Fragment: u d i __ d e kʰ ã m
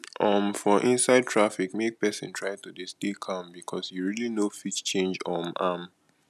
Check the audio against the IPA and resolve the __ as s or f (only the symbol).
s